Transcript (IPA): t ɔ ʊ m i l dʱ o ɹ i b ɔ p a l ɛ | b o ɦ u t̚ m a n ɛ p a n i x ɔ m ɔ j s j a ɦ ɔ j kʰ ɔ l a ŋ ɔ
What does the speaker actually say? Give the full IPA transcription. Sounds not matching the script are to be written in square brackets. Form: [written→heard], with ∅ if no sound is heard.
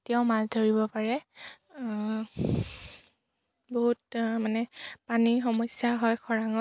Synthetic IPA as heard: t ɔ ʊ m [i→a] l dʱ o ɹ i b ɔ p a [l→ɹ] ɛ | b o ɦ u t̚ m a n ɛ p a n i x ɔ m ɔ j s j a ɦ ɔ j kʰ ɔ [l→ɹ] a ŋ ɔ